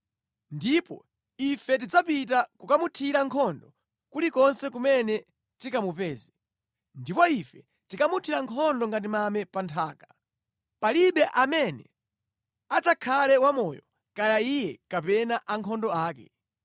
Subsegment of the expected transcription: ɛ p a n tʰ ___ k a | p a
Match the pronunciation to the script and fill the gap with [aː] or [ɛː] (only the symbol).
aː